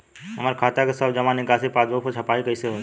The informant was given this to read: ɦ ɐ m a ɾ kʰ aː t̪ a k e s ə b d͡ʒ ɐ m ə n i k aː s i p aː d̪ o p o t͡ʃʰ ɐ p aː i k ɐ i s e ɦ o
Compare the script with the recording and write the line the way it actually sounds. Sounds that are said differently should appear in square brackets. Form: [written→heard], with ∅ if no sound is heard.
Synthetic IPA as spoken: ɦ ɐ m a ɾ kʰ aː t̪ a k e s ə b d͡ʒ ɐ m [ə→a] n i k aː s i p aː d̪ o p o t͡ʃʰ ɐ p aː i k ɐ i s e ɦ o